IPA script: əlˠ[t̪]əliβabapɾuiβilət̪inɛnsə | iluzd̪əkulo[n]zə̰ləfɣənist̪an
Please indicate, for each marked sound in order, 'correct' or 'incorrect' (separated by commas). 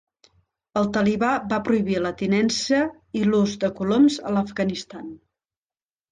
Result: correct, incorrect